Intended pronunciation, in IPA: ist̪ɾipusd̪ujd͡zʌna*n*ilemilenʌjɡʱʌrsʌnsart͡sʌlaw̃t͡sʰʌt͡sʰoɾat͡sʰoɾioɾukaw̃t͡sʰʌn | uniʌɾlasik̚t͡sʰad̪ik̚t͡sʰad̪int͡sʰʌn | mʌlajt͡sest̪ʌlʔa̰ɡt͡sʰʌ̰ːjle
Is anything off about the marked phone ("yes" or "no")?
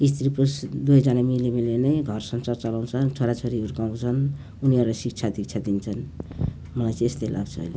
yes